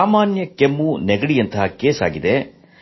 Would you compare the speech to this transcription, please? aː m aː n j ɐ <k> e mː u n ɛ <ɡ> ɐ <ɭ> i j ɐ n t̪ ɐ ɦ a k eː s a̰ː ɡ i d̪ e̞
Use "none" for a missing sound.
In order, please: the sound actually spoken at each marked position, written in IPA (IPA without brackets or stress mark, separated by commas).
k, ɡ, ɽ